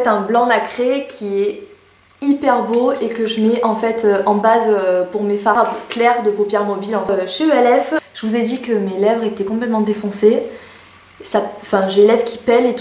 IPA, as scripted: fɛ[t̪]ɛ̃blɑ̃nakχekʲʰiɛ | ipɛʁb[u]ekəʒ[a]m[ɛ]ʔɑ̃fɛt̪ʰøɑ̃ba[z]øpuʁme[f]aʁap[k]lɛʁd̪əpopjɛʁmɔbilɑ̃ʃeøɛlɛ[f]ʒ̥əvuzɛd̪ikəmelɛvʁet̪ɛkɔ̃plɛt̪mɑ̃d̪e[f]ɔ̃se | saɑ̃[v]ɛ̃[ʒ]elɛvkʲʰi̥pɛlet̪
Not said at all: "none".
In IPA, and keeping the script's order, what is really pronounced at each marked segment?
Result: t̪, o, ə, ɛ, z, f, k, f, f, f, ʒ

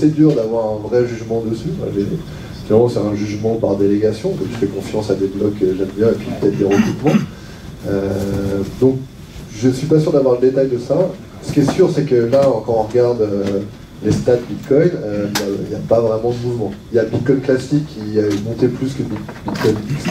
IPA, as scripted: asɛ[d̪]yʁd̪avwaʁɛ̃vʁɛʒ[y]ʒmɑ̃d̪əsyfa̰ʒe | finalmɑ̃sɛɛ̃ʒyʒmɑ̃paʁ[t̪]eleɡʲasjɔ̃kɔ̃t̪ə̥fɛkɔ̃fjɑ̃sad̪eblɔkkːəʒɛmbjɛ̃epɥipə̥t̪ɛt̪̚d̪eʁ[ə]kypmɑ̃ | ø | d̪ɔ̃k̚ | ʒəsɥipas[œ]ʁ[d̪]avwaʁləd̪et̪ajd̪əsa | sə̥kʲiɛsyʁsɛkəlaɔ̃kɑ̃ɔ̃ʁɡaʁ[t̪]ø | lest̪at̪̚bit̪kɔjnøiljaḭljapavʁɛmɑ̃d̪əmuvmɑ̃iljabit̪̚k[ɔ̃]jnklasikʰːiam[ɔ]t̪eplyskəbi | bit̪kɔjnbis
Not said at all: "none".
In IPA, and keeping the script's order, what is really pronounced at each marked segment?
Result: d̪, y, d̪, ə, y, d̪, d̪, ɔ, ɔ̃

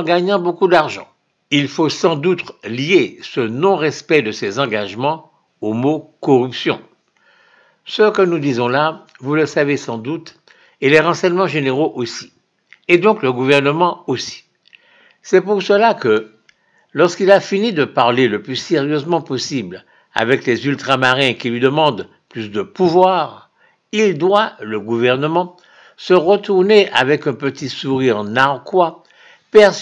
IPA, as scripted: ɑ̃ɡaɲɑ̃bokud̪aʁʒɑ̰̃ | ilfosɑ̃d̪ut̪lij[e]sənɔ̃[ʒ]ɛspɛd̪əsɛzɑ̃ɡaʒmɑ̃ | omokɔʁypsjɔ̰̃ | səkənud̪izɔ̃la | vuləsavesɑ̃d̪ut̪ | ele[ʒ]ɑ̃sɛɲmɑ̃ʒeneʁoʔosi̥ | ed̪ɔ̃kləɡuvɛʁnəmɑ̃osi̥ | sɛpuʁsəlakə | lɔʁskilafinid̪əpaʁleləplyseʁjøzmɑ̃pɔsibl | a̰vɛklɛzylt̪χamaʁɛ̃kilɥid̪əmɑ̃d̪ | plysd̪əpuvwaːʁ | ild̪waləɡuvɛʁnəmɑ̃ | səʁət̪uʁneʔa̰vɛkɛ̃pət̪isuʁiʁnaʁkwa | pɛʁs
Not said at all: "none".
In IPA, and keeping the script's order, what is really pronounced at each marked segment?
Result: e, ʁ, ʁ

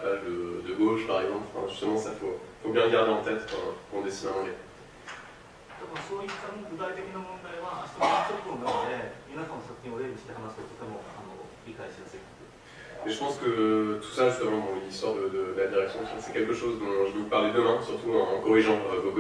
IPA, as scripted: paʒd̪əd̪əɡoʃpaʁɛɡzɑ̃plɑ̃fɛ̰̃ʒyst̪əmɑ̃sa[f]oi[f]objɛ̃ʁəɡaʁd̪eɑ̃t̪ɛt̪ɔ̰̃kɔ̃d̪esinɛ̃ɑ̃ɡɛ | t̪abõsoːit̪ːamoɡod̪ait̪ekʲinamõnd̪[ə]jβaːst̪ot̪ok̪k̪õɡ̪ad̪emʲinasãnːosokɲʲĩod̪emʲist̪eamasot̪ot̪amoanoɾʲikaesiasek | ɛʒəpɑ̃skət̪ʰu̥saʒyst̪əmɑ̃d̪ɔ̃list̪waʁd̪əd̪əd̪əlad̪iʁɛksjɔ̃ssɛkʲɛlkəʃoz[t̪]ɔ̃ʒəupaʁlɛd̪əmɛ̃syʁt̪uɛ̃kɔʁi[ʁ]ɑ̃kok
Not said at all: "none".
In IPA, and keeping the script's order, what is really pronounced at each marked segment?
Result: f, f, a, d̪, ʒ

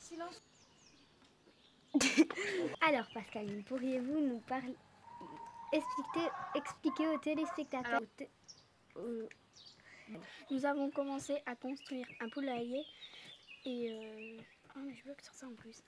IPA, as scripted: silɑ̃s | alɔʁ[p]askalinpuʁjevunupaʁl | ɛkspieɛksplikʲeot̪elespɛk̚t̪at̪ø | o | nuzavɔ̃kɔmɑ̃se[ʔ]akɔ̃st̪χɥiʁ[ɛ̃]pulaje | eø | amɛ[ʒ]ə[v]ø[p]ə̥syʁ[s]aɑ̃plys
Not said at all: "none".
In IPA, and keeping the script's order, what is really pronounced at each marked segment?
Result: p, ʔ, ɛ̃, ʒ, v, k, s

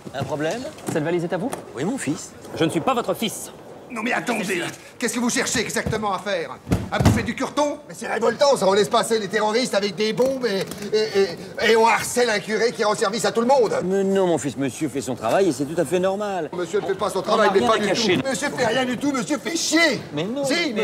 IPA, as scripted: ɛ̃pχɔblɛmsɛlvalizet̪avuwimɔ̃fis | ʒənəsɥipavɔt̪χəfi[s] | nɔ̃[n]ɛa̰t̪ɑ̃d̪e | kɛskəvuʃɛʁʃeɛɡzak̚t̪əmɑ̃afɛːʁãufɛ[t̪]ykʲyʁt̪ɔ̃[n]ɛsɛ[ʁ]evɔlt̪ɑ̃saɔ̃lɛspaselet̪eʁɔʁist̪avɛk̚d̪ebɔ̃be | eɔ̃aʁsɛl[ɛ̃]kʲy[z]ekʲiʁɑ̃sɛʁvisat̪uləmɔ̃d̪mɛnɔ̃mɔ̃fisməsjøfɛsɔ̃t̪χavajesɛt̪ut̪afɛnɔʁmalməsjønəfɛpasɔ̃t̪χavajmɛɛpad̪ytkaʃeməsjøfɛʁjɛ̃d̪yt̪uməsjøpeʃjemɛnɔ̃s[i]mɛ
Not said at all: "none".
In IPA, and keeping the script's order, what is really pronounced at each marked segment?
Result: s, m, d̪, m, ʁ, ɛ̃, ʁ, i

